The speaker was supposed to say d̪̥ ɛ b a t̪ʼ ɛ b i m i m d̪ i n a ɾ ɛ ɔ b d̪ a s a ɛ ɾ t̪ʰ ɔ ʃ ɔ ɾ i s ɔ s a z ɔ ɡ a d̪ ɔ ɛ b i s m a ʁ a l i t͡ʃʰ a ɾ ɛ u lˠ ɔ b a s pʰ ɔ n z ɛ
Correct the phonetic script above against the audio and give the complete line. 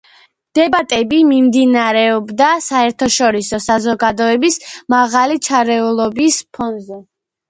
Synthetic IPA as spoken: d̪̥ ɛ b a t̪ʼ ɛ b i m i m d̪ i n a ɾ ɛ ɔ b d̪ a s a ɛ ɾ t̪ʰ ɔ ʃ ɔ ɾ i s ɔ s a z ɔ ɡ a d̪ ɔ ɛ b i s m a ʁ a l i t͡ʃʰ a ɾ ɛ u lˠ ɔ b i s pʰ ɔ n z ɛ